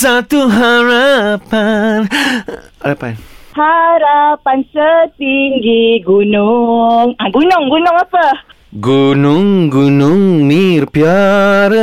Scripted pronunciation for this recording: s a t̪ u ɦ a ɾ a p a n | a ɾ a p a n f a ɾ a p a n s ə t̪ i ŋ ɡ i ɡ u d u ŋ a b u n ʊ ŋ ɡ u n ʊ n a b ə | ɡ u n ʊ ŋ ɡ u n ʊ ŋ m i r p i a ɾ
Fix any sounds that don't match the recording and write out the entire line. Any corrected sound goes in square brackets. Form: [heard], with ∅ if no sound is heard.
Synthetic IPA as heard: s a t̪ u ɦ a ɾ a p a n | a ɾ a p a n [h] a ɾ a p a n s ə t̪ i ŋ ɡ i ɡ u [n] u ŋ a [ɡ] u n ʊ ŋ ɡ u n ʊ [ŋ] a [p] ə | ɡ u n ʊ ŋ ɡ u n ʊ ŋ m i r p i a ɾ